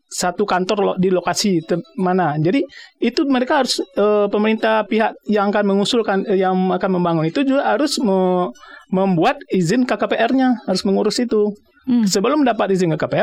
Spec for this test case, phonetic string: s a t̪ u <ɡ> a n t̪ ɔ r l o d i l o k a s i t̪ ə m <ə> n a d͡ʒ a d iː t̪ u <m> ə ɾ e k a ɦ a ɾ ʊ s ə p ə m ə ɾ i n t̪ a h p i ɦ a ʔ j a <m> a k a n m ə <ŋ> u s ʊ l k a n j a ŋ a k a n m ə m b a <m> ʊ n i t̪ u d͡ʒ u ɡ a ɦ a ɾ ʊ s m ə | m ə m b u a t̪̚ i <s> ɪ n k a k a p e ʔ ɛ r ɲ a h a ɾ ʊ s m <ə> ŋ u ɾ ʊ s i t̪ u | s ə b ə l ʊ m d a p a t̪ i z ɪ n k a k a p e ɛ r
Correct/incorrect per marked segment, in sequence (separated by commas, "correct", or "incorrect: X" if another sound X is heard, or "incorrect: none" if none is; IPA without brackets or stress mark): incorrect: k, incorrect: a, correct, incorrect: ŋ, correct, incorrect: ŋ, incorrect: z, correct